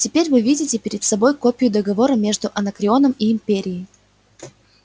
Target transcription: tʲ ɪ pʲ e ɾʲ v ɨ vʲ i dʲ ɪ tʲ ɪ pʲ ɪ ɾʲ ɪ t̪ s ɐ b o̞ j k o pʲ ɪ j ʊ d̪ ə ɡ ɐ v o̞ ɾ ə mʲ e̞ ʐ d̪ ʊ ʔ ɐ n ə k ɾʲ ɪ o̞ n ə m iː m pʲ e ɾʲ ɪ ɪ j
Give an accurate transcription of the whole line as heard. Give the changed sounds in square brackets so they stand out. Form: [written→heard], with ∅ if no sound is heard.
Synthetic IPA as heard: tʲ ɪ pʲ e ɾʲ v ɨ vʲ i dʲ ɪ tʲ ɪ pʲ ɪ ɾʲ ɪ t̪ s ɐ b o̞ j k o pʲ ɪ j ʊ d̪ ə ɡ ɐ v o̞ ɾ ə mʲ e̞ ʐ d̪ ʊ ʔ ɐ n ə k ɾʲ ɪ o̞ n ə m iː m pʲ e ɾʲ ɪ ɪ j